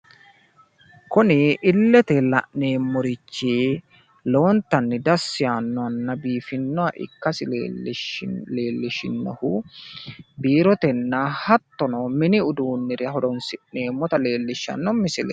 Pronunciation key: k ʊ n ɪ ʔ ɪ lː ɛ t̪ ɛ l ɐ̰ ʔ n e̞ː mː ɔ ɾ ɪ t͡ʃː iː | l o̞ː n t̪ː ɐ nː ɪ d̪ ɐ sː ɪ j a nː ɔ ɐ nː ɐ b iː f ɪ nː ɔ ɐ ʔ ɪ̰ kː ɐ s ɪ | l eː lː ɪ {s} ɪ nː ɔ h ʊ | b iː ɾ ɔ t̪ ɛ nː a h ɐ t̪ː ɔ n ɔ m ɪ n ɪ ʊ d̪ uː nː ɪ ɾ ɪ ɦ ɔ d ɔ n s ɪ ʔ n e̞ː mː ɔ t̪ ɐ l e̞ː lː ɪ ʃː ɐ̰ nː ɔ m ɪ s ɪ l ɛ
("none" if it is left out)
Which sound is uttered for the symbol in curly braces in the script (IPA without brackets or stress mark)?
ʃ